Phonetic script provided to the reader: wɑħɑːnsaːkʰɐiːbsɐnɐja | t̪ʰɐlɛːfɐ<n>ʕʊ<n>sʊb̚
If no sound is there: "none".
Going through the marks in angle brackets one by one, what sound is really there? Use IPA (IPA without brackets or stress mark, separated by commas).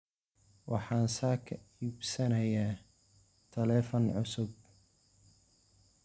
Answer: n, none